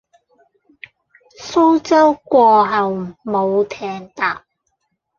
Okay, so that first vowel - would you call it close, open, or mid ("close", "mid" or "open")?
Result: mid